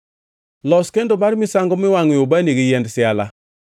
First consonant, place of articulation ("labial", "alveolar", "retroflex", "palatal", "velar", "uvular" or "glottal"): alveolar